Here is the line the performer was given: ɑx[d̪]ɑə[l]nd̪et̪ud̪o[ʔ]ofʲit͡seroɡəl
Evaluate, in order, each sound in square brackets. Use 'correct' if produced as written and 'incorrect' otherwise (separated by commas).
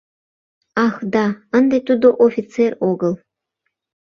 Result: correct, incorrect, correct